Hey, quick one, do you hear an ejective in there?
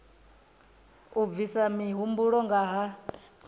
no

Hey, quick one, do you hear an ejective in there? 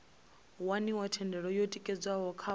yes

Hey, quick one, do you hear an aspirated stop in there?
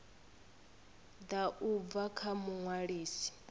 yes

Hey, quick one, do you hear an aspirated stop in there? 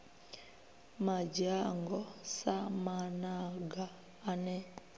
no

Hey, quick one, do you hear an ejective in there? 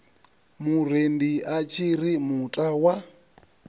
yes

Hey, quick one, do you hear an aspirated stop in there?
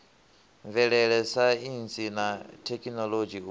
yes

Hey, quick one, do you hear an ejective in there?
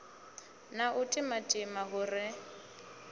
yes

